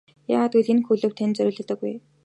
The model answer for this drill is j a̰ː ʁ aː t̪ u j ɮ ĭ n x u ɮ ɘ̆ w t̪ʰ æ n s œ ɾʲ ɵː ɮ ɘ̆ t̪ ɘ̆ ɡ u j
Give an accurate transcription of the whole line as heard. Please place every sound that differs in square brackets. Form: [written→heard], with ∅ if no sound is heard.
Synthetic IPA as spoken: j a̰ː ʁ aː t̪ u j ɮ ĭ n x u ɮ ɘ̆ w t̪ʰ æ n [s→t͡s] œ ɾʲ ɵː ɮ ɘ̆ t̪ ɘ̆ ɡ u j